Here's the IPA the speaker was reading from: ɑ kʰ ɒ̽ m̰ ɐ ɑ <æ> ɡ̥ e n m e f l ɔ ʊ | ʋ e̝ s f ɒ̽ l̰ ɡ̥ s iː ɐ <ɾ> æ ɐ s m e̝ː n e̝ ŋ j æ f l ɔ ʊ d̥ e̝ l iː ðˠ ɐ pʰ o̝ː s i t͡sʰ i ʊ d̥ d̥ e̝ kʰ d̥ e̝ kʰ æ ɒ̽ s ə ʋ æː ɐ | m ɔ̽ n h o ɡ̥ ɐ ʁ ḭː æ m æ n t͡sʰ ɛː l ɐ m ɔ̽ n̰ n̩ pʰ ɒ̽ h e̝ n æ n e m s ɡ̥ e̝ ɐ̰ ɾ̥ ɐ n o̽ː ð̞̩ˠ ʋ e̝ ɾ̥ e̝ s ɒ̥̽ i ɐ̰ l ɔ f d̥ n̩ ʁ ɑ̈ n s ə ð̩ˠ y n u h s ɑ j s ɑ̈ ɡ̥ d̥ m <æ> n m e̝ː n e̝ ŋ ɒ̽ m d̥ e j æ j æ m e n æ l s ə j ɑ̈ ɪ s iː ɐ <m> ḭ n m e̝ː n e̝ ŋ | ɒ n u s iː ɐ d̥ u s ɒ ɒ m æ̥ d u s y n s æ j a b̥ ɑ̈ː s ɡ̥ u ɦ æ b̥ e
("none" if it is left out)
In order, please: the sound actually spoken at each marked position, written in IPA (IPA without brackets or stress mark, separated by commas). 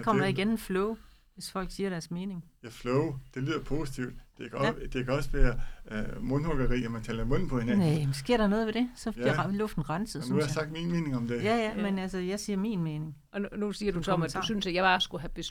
i, ɾ, i, m